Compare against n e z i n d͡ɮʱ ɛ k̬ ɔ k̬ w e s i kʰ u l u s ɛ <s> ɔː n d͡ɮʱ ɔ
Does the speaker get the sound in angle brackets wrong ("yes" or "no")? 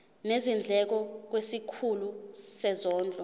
yes